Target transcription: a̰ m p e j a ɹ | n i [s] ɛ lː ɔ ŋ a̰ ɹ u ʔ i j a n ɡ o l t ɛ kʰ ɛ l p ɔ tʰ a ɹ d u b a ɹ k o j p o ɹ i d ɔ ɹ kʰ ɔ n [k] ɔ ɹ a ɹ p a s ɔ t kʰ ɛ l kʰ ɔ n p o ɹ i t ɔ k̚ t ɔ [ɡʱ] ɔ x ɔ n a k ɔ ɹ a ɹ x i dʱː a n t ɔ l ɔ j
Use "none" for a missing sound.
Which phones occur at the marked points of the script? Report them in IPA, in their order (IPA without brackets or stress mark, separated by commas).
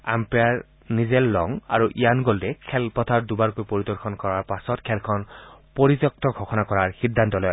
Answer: z, k, ɡʱ